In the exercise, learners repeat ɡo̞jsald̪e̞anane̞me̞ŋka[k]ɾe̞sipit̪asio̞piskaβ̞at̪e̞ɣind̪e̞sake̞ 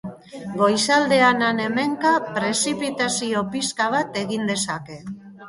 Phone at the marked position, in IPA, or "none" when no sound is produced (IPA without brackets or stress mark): p